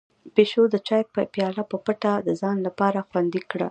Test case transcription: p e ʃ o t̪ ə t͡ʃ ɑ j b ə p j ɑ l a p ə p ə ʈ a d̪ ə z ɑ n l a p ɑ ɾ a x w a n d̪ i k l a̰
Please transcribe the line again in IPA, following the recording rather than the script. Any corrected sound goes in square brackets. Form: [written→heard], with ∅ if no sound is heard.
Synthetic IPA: p e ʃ o [t̪→d̪] ə t͡ʃ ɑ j [b→p] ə p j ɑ l a p ə p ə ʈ a d̪ ə z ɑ n l a p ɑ ɾ a x w a n d̪ i k [l→ɽ] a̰